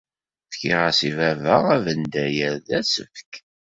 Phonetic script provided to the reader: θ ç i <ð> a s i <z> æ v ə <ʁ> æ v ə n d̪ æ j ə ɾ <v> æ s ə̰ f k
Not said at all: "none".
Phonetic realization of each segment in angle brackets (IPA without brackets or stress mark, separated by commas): ʁ, v, ʁ, ð